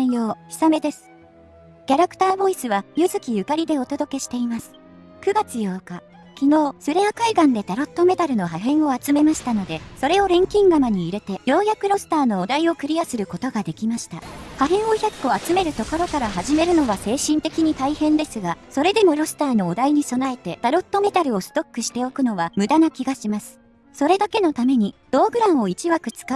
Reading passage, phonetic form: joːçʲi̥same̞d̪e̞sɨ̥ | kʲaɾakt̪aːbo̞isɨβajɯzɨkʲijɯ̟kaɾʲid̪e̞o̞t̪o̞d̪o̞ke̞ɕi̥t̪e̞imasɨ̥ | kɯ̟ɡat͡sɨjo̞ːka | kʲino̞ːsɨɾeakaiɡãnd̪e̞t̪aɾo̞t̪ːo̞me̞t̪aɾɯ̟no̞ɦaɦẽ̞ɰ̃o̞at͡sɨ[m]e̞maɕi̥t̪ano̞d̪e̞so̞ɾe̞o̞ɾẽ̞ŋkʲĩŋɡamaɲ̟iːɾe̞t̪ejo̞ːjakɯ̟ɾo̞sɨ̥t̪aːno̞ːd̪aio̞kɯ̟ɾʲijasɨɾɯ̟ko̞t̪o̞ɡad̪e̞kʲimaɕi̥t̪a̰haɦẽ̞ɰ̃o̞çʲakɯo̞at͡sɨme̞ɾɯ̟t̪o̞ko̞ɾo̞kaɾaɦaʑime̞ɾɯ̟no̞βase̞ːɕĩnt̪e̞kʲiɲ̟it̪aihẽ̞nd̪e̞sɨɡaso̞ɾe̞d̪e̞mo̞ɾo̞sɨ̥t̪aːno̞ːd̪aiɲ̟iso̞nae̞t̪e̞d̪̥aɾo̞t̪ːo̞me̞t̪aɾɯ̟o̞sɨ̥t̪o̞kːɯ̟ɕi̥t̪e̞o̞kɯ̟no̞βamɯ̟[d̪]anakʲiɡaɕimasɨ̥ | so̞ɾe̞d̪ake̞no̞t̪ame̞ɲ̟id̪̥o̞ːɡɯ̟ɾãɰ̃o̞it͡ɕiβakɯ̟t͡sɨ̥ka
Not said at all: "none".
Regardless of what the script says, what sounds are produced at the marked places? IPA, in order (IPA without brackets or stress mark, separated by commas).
m, d̪